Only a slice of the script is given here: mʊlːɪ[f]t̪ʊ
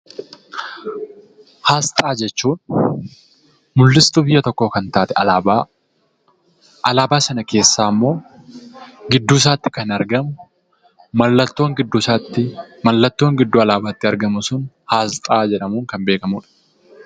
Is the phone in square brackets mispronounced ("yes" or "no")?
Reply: yes